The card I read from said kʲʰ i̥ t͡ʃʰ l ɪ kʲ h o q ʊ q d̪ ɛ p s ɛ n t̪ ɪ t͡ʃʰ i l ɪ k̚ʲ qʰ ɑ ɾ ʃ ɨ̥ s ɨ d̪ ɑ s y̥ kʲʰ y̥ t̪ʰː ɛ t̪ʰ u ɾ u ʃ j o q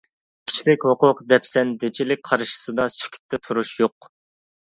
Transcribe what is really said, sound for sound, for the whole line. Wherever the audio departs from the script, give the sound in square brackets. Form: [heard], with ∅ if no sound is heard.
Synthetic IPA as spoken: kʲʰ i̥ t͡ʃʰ l ɪ kʲ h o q ʊ q d̪ ɛ p s ɛ n [d̪] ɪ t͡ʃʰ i l ɪ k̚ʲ qʰ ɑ ɾ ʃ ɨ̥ s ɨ d̪ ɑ s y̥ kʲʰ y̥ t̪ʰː ɛ t̪ʰ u ɾ u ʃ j o q